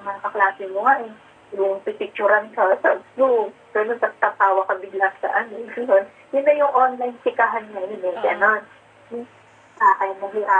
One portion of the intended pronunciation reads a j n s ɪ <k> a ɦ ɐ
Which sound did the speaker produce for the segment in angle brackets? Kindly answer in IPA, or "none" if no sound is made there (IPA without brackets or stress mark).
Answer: k